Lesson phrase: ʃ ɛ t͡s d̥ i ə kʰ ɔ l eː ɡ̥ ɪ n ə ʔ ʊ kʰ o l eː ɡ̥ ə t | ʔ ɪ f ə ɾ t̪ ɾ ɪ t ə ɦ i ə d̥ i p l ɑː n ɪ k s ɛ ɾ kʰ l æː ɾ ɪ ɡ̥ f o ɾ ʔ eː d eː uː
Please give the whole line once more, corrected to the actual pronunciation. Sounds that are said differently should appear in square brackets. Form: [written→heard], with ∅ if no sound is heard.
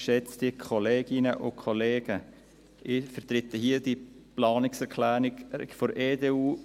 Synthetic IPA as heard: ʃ ɛ t͡s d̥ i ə kʰ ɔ l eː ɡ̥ ɪ n ə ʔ ʊ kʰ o l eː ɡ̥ ə [t→∅] | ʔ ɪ f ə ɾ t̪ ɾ ɪ t ə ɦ i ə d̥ i p l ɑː n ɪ k s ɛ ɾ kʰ l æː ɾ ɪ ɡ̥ f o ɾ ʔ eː d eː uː